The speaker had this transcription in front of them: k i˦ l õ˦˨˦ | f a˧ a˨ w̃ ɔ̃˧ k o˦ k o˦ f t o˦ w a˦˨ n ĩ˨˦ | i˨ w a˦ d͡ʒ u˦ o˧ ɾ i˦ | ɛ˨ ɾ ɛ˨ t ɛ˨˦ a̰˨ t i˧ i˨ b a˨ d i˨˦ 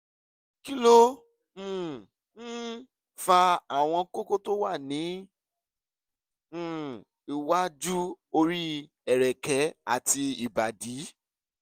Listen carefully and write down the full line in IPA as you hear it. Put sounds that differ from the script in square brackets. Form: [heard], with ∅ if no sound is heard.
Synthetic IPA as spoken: k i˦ l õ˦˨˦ | f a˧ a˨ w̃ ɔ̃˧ k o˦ k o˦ [∅] t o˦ w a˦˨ n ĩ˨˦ | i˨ w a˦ d͡ʒ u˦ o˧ ɾ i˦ | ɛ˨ ɾ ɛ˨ [k] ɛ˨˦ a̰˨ t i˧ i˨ b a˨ d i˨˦